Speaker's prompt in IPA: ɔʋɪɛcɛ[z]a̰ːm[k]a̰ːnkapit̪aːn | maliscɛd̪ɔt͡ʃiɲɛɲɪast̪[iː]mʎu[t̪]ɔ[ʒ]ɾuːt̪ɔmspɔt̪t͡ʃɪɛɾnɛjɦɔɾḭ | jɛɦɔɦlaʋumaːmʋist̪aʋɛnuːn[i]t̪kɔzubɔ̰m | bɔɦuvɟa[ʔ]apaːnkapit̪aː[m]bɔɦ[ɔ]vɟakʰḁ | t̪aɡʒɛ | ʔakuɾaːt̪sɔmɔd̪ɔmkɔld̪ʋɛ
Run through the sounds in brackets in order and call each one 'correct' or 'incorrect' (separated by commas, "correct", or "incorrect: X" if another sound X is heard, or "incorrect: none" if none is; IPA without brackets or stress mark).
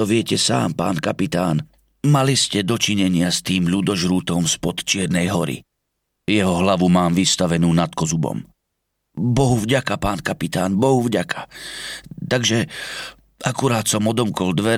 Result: incorrect: s, incorrect: p, correct, incorrect: d̪, correct, incorrect: a, incorrect: k, incorrect: n, incorrect: u